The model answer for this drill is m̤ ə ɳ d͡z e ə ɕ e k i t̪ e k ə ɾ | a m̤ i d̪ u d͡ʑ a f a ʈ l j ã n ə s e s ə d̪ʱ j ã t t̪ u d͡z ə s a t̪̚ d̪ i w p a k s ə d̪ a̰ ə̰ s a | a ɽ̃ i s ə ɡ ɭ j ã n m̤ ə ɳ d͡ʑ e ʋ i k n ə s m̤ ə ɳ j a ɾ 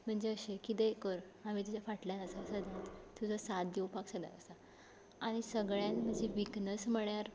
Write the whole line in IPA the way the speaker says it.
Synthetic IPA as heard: m̤ ə ɳ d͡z e ə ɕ e k i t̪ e k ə ɾ | a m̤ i t̪ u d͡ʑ a f a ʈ l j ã n ə s a s ə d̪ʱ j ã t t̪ u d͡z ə s a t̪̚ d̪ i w p a k s ə d̪ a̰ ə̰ s a | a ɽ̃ i s ə ɡ ɭ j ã n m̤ ə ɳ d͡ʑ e ʋ i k n ə s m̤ ə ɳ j a ɾ